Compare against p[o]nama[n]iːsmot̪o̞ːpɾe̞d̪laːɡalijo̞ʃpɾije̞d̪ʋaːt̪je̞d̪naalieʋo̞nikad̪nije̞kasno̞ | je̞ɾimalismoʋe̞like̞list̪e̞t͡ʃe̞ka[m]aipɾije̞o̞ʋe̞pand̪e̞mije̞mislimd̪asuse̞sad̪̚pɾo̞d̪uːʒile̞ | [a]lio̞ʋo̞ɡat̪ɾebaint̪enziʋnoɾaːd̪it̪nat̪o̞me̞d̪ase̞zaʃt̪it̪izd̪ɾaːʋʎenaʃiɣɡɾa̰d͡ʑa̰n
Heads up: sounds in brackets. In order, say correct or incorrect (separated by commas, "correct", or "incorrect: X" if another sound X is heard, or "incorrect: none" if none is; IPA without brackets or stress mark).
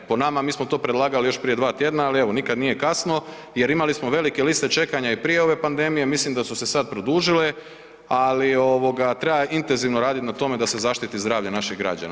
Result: correct, incorrect: m, incorrect: ɲ, correct